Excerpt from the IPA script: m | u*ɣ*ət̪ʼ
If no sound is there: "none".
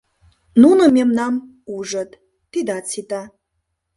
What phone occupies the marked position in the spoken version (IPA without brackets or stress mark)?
ʐ